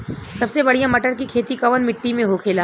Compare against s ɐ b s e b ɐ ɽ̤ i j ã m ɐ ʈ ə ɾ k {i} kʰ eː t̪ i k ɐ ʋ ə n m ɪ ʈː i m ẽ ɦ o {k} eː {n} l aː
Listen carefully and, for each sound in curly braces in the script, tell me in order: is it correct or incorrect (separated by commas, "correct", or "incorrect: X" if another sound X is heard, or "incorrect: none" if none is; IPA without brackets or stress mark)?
correct, incorrect: kʰ, incorrect: none